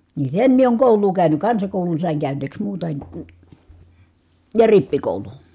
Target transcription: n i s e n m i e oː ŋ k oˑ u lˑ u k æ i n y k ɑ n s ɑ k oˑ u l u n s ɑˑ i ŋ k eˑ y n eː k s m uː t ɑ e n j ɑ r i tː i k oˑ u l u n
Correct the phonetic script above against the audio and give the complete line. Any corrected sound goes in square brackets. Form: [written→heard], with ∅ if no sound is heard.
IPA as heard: n i s e n m i e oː ŋ k oˑ u lˑ [u→uː] k æ [i→y] n y k ɑ n s ɑ k oˑ u l u n s ɑˑ i ŋ k [eˑ→æˑ] y n eː k s m uː t ɑ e n j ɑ r i [tː→pː] i k oˑ u l u n